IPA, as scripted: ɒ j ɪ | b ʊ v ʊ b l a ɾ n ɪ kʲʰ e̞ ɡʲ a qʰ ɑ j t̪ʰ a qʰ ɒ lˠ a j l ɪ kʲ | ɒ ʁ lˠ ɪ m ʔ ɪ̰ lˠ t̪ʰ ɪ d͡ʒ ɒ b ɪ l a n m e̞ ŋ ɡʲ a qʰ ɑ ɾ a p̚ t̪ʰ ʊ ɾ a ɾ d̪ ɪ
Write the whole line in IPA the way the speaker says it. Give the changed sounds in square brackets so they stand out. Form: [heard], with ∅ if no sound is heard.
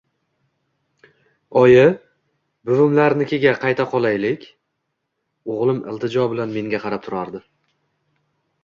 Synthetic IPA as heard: ɒ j ɪ | b ʊ v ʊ [m] l a ɾ n ɪ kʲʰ e̞ ɡʲ a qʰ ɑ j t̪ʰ a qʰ ɒ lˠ a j l ɪ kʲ | [o] ʁ lˠ ɪ m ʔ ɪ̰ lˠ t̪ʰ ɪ d͡ʒ ɒ b ɪ l a n m e̞ ŋ ɡʲ a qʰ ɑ ɾ a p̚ t̪ʰ ʊ ɾ a ɾ d̪ ɪ